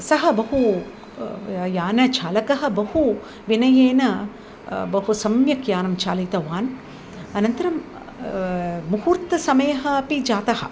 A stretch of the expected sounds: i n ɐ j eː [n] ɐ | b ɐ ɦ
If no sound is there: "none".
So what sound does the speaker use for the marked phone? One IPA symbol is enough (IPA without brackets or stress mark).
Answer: n